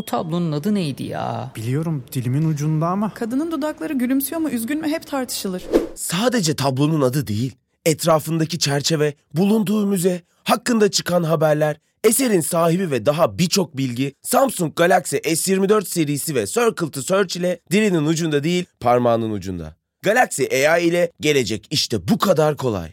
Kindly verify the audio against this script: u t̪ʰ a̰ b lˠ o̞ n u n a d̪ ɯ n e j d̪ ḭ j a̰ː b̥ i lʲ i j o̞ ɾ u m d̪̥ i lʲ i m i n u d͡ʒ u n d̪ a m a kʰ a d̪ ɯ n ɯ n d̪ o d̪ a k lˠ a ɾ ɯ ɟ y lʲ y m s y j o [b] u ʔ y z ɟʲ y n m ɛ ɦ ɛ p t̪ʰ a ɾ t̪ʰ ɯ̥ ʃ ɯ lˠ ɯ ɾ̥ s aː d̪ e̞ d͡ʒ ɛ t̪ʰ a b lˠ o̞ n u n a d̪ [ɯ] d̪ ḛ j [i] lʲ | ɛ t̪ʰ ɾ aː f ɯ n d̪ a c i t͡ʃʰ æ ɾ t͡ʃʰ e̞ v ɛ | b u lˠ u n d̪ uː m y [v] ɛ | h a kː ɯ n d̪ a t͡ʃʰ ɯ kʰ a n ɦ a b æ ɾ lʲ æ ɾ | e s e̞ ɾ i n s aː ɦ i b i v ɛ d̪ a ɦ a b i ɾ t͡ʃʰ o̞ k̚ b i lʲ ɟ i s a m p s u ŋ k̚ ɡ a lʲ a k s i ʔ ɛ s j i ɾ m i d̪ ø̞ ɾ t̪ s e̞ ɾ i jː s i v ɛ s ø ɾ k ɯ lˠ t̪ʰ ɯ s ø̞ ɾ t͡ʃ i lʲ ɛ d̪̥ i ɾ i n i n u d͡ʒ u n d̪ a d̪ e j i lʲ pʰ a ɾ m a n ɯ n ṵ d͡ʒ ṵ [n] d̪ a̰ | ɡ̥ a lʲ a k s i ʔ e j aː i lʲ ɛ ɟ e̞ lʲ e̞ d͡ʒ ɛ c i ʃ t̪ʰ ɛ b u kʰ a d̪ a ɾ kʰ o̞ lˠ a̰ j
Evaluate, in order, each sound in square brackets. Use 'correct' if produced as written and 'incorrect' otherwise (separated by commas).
incorrect, correct, correct, incorrect, correct